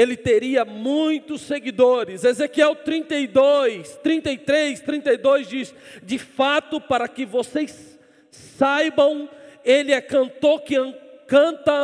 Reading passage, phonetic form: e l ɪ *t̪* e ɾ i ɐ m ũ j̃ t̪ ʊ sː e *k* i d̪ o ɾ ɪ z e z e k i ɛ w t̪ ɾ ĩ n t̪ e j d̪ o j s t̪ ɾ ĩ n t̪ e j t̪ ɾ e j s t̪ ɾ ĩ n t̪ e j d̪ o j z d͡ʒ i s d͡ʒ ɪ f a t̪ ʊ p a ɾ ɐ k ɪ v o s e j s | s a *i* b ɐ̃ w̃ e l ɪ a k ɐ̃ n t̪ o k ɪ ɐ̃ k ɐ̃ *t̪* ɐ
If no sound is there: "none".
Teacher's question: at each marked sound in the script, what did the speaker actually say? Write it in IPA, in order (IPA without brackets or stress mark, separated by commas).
t̪, ɡ, j, t̪